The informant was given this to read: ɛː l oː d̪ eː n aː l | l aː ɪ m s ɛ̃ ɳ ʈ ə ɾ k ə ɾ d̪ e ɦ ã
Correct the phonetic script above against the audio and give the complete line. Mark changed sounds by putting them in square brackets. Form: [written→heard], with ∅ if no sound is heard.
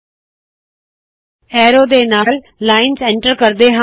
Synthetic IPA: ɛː [l→ɾ] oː d̪ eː n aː l | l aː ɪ [m→n] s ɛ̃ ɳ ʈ ə ɾ k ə ɾ d̪ e ɦ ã